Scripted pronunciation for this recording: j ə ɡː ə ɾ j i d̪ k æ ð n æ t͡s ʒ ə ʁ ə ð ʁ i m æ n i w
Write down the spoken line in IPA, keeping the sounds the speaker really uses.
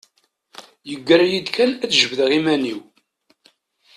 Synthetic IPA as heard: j ə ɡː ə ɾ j i d̪ k æ n æ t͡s ʒ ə v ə ð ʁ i m æ n i w